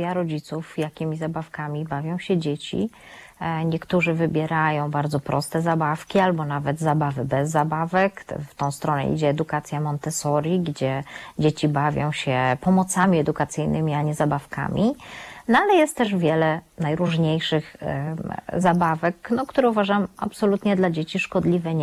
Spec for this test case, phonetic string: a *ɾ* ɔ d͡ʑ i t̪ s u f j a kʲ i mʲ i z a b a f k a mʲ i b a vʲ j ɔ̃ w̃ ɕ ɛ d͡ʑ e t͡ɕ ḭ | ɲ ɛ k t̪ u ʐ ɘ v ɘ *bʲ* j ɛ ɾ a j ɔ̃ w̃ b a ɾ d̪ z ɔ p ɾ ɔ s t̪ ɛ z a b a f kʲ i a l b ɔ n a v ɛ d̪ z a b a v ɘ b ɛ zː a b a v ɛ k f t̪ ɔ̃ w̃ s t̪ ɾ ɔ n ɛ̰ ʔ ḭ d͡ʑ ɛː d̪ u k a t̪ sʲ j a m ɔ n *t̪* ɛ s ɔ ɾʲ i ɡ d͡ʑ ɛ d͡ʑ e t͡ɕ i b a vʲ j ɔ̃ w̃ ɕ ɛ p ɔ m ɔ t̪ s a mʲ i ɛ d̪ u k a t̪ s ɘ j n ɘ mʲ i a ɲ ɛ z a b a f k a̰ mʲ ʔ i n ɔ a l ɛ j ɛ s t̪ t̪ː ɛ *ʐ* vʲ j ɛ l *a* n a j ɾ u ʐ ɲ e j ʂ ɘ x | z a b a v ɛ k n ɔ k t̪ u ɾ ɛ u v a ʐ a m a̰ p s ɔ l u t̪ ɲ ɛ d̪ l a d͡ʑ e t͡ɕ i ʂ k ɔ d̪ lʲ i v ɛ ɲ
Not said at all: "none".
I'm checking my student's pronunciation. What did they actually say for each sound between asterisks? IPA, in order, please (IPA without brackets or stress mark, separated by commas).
ɾ, bʲ, t̪, ʐ, ɛ